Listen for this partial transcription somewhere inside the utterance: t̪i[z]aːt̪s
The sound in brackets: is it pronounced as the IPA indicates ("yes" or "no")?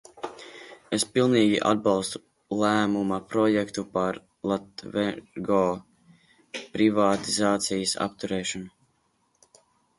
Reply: yes